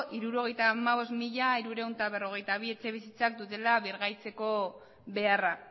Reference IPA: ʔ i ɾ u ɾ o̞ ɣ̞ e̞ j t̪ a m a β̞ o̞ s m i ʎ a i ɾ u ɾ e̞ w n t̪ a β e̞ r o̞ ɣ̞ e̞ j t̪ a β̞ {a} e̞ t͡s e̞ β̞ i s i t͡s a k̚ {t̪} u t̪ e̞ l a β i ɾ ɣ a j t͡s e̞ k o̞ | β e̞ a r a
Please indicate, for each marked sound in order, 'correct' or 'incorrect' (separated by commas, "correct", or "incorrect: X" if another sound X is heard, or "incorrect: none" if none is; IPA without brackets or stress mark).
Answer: incorrect: i, incorrect: d̪